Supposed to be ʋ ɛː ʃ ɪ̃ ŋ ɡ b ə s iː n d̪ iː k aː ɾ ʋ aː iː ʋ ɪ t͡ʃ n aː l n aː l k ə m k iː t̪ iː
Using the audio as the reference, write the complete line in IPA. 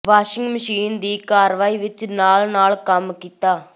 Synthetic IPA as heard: ʋ aː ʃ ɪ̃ ŋ ɡ m ə ʃ iː n d̪ iː k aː ɾ ʋ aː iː ʋ ɪ t͡ʃ n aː l n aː l k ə m k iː t̪ aː